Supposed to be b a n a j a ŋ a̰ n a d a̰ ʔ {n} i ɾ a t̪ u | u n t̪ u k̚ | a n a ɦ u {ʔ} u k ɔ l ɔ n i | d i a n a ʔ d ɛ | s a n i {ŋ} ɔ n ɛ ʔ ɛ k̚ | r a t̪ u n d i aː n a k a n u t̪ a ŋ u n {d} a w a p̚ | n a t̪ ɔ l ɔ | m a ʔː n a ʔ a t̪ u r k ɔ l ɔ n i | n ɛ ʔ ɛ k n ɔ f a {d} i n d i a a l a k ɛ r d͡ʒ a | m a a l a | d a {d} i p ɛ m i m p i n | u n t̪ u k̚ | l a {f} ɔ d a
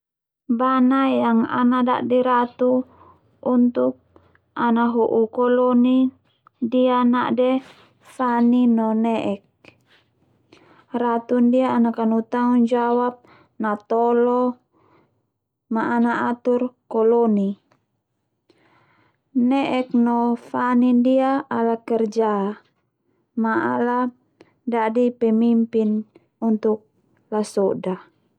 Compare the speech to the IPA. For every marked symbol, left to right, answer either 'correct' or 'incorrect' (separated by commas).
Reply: incorrect, correct, incorrect, incorrect, incorrect, correct, incorrect